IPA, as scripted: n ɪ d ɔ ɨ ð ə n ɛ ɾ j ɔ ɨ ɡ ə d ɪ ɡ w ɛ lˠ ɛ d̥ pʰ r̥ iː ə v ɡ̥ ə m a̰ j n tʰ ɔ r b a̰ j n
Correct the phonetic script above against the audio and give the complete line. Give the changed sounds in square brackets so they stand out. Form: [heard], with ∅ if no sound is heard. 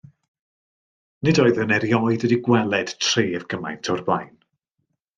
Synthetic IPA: n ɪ d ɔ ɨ ð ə n ɛ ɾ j ɔ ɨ [d] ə d [i] ɡ w ɛ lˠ ɛ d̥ [tʰ] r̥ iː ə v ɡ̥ ə m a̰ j n tʰ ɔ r b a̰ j n